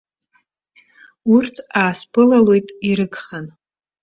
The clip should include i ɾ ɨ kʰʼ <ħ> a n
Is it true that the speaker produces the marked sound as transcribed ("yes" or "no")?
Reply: no